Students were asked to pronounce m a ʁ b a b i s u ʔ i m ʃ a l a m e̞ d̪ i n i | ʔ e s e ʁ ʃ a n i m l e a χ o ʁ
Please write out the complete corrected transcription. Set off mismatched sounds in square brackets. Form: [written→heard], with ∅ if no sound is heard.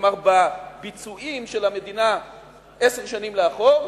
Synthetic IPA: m a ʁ b a b i [s→t͡s] u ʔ i m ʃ [a→e] l a m e̞ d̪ i n [i→a] | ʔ e s e ʁ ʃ a n i m l e a χ o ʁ

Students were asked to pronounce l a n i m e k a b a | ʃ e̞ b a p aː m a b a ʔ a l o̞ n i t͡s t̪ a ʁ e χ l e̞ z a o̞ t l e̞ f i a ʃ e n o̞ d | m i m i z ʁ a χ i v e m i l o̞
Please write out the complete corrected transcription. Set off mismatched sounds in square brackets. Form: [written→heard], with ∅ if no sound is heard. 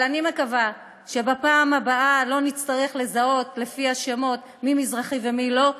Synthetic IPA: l a n i m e k a [b→v] a | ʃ e̞ b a p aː m a b a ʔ a l o̞ n i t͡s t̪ a ʁ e χ l e̞ z a o̞ t l e̞ f i a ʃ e [n→m] o̞ [d→t] | m i m i z ʁ a χ i v e m i l o̞

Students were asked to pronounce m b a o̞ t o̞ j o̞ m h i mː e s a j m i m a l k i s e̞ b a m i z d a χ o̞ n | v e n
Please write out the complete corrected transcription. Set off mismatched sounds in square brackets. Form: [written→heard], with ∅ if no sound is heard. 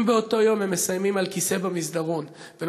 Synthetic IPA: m b [a→e] o̞ t o̞ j o̞ m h [i→e] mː e s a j m i m a l k i s e̞ b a m i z d a [χ→ʁ] o̞ n | v e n

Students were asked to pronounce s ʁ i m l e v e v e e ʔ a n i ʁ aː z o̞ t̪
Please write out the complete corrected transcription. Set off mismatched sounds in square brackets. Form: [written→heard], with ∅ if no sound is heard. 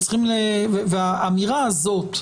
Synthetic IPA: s [ʁ→χ] i m l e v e v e [e→a] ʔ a [n→m] i ʁ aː z o̞ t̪

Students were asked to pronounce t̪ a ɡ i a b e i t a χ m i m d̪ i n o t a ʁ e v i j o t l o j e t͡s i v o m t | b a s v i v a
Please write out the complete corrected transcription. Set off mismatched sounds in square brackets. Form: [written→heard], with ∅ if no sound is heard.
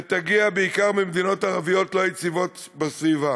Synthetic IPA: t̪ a ɡ i a b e i [t→k] a [χ→ʁ] m i m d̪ i n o t a ʁ [e→a] v i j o t l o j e t͡s i v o [m→∅] t | b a s v i v a

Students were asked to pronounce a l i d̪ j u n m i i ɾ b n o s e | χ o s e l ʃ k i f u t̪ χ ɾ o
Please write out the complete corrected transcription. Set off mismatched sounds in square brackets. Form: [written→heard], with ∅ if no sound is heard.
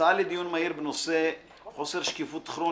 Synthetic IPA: a l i d̪ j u n m [i→a] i ɾ b n o s e | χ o s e [l→ɾ] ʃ k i f u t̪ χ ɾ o

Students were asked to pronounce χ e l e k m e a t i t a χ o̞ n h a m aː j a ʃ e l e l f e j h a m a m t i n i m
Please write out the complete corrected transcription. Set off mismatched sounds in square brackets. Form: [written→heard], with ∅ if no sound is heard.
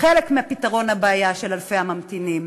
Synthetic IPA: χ e l e k m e a [t→p] i t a [χ→ʁ] o̞ n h a [m→b] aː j a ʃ e l [e→a] l f e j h a m a m t i n i m

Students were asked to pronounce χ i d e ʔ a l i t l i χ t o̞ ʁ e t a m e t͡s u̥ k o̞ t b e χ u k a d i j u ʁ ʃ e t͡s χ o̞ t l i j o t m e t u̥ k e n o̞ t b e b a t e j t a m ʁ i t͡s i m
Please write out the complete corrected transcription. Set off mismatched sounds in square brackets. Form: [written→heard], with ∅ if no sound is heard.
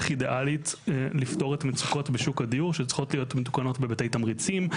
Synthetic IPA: χ i d e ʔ a l i t l i [χ→f] t o̞ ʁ e t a m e t͡s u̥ k o̞ t b e [χ→ʃ] u k a d i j u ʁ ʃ e t͡s χ o̞ t l i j o t m e t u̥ k [e→a] n o̞ t b e b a t e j t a m ʁ i t͡s i m

